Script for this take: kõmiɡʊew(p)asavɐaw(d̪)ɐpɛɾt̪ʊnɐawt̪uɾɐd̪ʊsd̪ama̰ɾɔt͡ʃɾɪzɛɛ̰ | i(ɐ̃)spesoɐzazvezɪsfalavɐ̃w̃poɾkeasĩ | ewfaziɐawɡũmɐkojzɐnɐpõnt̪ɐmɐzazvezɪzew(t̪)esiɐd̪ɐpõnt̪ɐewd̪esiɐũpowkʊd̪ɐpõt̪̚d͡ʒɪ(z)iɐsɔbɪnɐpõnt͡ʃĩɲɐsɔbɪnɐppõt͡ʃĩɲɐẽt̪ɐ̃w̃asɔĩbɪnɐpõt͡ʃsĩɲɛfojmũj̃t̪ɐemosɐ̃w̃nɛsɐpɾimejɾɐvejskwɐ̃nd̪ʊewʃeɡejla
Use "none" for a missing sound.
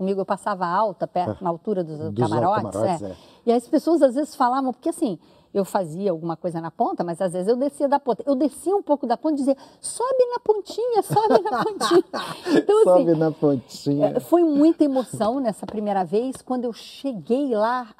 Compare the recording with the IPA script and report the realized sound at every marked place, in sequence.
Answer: p, t̪, ɐ, d̪, z

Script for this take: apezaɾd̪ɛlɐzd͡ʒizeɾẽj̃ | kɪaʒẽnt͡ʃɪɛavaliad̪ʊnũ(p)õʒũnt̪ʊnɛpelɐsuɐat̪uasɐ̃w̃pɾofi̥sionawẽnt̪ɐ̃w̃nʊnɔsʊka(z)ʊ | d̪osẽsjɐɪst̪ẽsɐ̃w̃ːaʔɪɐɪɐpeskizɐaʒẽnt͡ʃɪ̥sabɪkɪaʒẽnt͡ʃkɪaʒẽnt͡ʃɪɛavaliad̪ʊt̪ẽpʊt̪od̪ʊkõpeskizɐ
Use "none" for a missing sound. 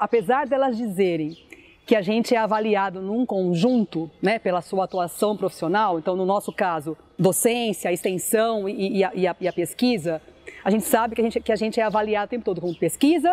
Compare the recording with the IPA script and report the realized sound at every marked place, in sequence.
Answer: k, z

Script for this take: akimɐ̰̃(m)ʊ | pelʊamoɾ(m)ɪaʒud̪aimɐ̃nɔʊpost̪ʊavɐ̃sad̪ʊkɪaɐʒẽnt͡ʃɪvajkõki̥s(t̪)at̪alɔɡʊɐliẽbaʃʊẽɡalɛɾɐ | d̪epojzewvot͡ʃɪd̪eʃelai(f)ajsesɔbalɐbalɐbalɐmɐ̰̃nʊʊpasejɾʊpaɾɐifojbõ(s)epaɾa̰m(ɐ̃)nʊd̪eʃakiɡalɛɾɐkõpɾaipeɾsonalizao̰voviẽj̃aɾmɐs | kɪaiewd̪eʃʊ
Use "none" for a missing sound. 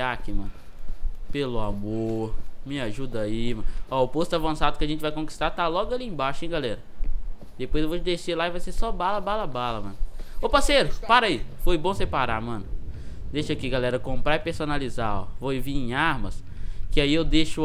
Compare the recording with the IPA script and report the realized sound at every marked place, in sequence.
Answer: n, m, t̪, v, s, ɐ̃

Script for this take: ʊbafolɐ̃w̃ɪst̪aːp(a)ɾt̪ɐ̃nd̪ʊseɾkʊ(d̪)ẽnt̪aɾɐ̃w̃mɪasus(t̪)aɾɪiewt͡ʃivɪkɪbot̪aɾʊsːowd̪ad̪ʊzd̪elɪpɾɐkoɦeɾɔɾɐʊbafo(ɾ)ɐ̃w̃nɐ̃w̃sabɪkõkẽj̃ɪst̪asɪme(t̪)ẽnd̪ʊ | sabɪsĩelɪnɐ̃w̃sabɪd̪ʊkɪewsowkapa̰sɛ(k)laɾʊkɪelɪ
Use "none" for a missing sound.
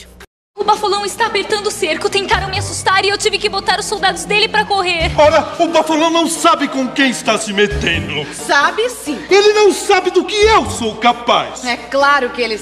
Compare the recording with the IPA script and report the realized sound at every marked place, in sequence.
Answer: e, t̪, t̪, l, t̪, k

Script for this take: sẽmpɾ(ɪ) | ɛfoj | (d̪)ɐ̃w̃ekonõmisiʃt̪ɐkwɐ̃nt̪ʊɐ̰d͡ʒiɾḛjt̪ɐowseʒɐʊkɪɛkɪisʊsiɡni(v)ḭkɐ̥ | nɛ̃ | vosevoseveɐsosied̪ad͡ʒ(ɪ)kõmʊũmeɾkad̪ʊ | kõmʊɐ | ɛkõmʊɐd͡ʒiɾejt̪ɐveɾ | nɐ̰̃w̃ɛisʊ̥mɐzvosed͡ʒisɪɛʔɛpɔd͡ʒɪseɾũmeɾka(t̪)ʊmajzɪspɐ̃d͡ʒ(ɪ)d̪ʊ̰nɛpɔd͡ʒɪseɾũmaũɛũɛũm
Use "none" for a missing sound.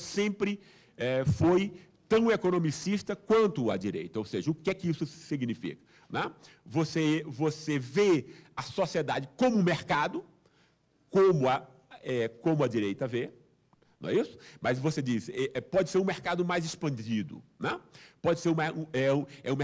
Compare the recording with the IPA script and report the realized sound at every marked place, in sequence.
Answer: ɪ, t̪, f, ɪ, d̪, i

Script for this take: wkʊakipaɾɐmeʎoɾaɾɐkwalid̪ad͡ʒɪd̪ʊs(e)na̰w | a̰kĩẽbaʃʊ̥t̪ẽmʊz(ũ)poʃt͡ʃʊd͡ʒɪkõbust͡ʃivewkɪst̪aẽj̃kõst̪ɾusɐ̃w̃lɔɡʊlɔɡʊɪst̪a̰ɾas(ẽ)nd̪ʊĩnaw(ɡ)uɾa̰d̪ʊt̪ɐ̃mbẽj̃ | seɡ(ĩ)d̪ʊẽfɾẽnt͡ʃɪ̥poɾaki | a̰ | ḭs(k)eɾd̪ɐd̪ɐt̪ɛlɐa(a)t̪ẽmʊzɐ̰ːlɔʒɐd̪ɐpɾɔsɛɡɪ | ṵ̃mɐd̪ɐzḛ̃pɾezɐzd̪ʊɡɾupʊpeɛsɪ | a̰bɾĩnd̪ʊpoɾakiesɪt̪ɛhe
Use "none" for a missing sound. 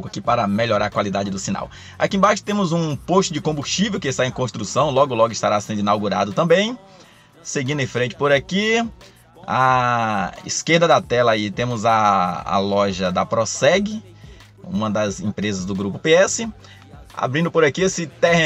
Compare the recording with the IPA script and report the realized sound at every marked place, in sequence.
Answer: i, ũ, ẽ, ɡ, ĩ, k, i

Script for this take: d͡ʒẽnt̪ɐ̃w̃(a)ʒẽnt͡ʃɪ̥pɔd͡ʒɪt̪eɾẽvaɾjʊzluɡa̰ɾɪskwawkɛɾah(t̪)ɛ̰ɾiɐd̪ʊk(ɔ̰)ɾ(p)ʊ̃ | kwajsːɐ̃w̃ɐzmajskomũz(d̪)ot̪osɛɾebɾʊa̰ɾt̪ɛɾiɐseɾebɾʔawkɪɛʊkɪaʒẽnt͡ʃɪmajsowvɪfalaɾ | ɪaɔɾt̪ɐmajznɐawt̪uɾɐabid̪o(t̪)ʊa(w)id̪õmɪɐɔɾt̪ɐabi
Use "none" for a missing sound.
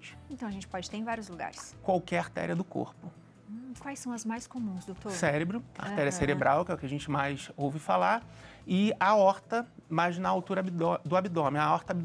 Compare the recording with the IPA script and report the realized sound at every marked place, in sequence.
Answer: ɐ, t̪, o̰, p, d̪, d̪, b

